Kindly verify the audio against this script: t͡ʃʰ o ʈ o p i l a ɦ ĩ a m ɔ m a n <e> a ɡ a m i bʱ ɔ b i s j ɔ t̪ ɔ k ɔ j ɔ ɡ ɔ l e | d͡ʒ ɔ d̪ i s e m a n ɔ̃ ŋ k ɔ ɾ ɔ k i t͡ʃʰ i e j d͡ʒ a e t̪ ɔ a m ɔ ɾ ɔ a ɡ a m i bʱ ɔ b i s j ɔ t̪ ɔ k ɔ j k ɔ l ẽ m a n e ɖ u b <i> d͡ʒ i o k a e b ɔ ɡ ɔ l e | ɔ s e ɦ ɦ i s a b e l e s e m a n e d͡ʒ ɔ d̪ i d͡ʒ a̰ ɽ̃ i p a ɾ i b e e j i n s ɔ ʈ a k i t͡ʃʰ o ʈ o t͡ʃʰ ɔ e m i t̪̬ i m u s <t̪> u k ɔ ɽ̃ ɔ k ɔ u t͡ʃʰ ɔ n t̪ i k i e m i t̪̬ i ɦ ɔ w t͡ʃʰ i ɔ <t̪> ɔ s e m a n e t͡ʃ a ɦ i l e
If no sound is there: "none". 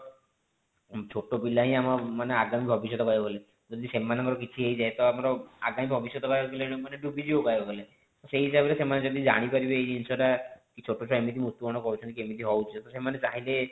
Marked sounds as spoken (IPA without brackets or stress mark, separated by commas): e, i, t̪, t̪